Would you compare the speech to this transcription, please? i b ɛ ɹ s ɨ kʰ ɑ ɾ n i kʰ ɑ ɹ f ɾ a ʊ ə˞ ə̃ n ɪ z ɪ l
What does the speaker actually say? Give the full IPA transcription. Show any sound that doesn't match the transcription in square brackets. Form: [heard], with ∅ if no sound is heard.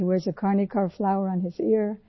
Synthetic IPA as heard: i [w] ɛ ɹ [z] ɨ kʰ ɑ [ɹ] n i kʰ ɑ ɹ f [l] a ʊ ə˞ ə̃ n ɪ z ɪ [ɹ]